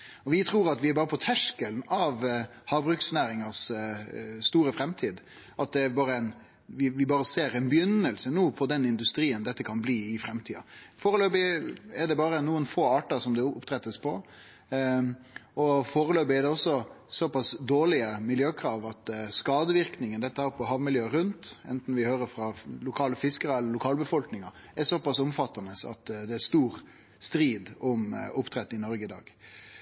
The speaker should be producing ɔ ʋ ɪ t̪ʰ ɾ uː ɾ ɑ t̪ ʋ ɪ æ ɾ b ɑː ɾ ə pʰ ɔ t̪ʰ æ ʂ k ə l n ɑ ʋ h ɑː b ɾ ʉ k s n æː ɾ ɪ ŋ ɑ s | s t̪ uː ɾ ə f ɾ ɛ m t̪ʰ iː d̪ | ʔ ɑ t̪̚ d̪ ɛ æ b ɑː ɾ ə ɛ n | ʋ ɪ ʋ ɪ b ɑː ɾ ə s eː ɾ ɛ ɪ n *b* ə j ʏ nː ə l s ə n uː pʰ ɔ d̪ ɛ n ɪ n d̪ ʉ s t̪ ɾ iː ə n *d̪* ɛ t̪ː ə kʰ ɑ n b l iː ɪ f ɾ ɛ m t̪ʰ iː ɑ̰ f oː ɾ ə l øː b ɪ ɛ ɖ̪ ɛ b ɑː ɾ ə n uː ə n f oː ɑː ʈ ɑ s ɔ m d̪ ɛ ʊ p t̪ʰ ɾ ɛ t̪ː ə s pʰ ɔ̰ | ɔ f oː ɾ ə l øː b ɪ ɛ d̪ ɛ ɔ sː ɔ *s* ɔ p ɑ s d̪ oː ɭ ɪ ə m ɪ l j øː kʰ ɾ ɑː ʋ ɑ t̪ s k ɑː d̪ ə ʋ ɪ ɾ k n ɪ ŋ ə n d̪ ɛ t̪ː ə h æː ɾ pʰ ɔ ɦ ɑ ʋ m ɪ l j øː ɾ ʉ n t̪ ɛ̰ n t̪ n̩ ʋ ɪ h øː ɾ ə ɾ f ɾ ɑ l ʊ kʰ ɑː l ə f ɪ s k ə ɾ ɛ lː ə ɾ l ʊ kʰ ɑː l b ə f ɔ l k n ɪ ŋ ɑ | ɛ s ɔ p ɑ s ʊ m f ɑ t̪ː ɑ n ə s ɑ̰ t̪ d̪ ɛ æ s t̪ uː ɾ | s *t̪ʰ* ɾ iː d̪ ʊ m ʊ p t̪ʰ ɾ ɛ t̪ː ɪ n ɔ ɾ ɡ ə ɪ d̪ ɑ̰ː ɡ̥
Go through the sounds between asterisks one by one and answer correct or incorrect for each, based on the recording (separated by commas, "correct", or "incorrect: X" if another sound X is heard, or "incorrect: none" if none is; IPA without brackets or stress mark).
correct, correct, correct, incorrect: t̪